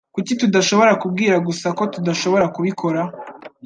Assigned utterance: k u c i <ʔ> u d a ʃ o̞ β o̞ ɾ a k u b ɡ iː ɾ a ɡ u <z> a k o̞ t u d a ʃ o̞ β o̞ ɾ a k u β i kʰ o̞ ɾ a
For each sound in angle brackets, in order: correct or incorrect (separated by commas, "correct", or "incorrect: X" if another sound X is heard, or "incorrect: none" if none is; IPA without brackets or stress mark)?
incorrect: t, incorrect: s